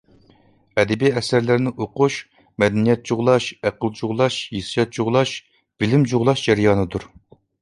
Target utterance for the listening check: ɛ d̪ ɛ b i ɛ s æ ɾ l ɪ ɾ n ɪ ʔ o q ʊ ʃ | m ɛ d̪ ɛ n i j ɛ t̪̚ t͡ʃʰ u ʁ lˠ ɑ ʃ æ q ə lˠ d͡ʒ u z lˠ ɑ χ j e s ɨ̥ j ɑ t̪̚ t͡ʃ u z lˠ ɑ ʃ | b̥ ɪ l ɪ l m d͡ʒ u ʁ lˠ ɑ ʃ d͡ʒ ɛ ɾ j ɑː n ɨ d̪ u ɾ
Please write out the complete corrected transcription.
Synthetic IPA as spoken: ɛ d̪ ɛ b i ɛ s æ ɾ l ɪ ɾ n ɪ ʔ o q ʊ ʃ | m ɛ d̪ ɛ n i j ɛ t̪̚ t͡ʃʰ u ʁ lˠ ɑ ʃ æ q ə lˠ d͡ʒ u ʁ lˠ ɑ ʃ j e s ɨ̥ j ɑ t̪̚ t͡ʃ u ʁ lˠ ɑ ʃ | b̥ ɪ l ɪ m d͡ʒ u ʁ lˠ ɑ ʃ d͡ʒ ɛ ɾ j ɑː n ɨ d̪ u ɾ

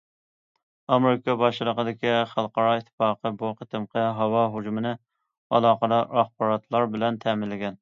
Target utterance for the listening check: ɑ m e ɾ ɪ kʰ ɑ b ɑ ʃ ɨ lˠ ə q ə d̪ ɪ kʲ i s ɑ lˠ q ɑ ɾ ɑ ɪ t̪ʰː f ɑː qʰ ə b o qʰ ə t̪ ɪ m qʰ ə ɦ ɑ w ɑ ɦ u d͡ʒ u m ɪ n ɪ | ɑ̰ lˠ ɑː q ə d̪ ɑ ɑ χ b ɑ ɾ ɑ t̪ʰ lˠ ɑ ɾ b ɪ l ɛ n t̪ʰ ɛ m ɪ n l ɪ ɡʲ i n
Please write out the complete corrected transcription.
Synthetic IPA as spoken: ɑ m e ɾ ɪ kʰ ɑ b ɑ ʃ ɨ lˠ ə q ə d̪ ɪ kʲ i χ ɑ lˠ q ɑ ɾ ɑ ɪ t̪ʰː f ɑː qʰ ə b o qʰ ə t̪ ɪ m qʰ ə ɦ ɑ w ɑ ɦ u d͡ʒ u m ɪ n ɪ | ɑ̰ lˠ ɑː q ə d̪ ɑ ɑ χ b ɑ ɾ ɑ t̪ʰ lˠ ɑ ɾ b ɪ l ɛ n t̪ʰ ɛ m ɪ n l ɪ ɡʲ ɛ n

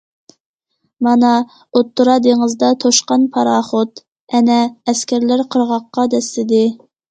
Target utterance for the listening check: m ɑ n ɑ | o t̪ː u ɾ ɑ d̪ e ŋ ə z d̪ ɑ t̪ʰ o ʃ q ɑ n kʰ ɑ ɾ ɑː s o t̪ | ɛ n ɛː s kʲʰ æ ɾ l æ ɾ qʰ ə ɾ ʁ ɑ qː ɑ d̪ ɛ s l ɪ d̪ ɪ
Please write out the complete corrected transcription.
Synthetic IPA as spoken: m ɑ n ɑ | o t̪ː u ɾ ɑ d̪ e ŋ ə z d̪ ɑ t̪ʰ o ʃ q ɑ n pʰ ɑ ɾ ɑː χ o t̪ | ɛ n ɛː s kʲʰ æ ɾ l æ ɾ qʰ ə ɾ ʁ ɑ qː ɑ d̪ ɛ s l ɪ d̪ ɪ

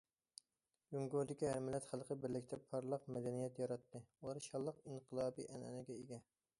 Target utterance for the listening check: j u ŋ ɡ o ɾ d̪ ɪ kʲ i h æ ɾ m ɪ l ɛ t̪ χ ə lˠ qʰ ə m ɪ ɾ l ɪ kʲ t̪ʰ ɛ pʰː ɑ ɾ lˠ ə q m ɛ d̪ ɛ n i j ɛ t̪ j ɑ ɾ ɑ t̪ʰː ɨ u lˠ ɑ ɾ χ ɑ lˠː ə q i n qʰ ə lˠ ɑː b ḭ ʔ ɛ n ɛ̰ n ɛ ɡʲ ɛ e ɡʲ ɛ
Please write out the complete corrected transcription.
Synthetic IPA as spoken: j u ŋ ɡ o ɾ d̪ ɪ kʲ i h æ ɾ m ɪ l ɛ t̪ χ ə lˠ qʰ ə b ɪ ɾ l ɪ kʲ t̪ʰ ɛ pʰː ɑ ɾ lˠ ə q m ɛ d̪ ɛ n i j ɛ t̪ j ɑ ɾ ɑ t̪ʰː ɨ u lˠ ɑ ɾ ʃ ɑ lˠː ə q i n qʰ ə lˠ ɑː b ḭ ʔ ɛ n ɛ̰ n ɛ ɡʲ ɛ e ɡʲ ɛ

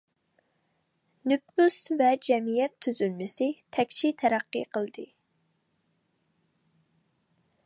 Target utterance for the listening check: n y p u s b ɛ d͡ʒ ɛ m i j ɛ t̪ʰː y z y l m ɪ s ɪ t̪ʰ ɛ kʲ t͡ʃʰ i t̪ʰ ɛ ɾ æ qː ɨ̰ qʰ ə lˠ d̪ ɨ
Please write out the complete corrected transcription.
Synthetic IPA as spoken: n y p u s v ɛ d͡ʒ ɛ m i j ɛ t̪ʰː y z y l m ɪ s ɪ t̪ʰ ɛ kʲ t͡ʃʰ i t̪ʰ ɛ ɾ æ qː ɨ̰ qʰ ə lˠ d̪ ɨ

